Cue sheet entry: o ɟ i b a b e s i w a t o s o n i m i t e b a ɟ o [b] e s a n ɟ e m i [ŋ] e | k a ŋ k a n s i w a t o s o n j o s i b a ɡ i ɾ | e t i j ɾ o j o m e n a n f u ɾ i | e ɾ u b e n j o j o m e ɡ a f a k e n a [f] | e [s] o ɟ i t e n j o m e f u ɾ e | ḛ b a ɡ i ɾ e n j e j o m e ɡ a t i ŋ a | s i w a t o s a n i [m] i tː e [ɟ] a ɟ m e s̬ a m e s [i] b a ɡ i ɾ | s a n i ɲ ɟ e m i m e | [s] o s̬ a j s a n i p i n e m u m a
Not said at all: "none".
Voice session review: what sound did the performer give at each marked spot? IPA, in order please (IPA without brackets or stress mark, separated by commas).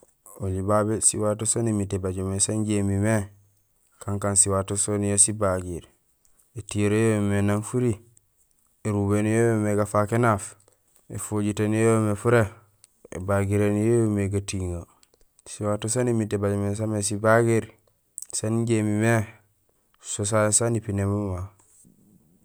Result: m, m, f, f, m, b, i, s